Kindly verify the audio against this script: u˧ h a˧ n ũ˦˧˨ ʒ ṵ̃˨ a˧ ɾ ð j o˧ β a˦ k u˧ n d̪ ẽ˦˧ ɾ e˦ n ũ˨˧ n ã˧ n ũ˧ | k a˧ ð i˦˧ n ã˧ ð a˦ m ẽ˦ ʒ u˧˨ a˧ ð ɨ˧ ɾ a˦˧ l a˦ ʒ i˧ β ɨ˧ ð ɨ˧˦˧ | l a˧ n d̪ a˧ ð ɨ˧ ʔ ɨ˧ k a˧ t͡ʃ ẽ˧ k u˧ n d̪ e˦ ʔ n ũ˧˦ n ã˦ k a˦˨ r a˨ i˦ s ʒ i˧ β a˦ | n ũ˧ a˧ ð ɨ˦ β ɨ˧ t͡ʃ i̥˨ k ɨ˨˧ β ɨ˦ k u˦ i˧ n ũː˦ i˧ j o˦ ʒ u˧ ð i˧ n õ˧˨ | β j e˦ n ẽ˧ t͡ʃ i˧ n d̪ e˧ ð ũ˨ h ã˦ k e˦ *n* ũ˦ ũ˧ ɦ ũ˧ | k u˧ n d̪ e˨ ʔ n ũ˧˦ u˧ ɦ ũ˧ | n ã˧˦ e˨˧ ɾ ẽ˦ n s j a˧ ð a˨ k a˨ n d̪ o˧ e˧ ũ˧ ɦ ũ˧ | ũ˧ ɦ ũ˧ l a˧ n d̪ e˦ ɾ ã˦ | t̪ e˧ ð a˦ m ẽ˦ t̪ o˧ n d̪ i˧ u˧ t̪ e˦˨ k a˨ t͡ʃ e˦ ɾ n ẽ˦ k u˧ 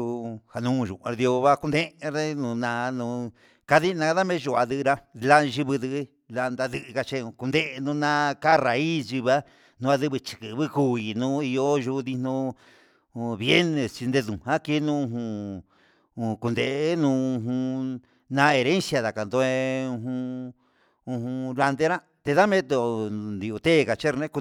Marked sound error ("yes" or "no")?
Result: no